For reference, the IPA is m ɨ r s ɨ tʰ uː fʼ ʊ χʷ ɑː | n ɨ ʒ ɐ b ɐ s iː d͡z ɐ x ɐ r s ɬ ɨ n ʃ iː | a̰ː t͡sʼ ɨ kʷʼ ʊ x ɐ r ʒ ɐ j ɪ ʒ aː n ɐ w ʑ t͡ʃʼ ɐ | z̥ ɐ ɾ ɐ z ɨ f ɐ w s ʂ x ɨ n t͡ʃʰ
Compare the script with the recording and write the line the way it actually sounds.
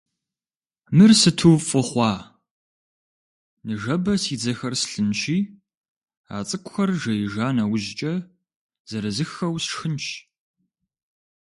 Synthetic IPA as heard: m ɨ r s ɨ tʰ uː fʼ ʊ χʷ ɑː | n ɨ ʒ ɐ b ɐ s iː d͡z ɐ x ɐ r s ɬ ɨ n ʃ iː | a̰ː t͡sʼ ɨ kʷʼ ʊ x ɐ r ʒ ɐ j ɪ ʒ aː n ɐ w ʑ t͡ʃʼ ɐ | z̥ ɐ ɾ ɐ z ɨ x ɐ w s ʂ x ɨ n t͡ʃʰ